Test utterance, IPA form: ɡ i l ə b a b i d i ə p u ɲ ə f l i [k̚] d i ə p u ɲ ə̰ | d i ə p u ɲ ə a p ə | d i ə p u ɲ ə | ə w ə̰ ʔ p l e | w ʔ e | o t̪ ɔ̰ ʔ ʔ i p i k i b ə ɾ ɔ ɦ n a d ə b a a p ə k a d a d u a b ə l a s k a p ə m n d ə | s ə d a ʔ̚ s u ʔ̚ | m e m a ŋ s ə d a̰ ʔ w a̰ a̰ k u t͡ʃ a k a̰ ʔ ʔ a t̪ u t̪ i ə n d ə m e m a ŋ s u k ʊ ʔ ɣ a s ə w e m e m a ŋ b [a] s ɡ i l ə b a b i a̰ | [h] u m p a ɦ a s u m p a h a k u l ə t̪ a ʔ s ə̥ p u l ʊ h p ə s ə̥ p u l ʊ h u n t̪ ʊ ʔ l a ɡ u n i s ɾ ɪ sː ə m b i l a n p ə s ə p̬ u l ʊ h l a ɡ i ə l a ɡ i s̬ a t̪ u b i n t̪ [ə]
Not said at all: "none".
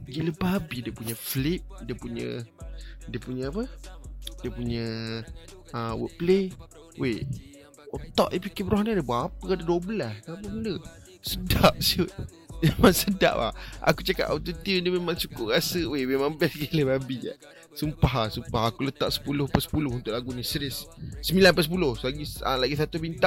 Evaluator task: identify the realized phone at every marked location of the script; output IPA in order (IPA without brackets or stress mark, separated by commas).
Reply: p̚, ɛ, s, a